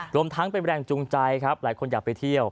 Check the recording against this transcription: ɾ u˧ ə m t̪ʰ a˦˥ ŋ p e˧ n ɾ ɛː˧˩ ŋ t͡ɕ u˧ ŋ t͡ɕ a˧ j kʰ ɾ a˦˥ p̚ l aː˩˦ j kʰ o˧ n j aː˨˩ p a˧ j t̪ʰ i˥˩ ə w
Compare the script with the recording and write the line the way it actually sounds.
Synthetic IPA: ɾ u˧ ə m t̪ʰ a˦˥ ŋ p e˧ n ɾ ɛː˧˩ ŋ t͡ɕ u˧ ŋ t͡ɕ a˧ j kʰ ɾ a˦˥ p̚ l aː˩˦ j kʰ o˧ n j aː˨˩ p a˧ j t̪ʰ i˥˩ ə w